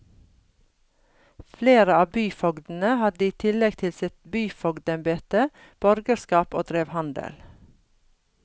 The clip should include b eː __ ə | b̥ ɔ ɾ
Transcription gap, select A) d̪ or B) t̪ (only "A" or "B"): B